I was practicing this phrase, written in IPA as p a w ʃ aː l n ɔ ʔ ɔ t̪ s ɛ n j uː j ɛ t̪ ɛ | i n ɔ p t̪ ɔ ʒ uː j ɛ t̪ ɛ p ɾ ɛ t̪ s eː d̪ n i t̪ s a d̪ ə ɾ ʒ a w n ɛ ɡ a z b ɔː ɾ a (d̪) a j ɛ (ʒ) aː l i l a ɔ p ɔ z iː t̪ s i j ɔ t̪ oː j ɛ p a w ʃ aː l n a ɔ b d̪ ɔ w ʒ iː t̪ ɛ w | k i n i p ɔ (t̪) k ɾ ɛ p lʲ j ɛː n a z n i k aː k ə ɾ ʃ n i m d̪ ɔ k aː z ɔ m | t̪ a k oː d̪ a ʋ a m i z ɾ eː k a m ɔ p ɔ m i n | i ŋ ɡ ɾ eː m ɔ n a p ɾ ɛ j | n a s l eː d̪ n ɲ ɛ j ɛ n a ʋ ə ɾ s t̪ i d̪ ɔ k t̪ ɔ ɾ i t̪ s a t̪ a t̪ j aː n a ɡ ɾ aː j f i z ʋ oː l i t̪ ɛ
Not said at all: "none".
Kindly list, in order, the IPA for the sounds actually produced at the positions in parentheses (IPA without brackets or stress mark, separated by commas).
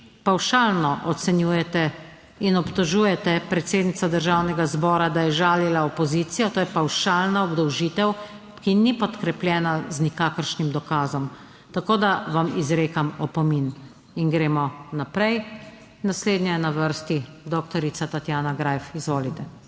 d̪, ʒ, t̪